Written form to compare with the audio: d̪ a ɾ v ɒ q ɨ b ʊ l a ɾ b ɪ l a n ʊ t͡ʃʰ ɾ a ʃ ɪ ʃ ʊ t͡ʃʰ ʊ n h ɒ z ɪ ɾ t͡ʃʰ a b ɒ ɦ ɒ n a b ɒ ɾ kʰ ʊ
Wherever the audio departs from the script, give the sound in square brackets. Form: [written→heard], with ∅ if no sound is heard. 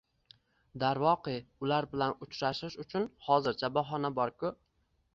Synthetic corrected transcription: d̪ a ɾ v ɒ q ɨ [b→∅] ʊ l a ɾ b ɪ l a n ʊ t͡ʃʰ ɾ a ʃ ɪ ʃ ʊ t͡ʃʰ ʊ n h ɒ z ɪ ɾ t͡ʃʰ a b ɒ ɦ ɒ n a b ɒ ɾ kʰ ʊ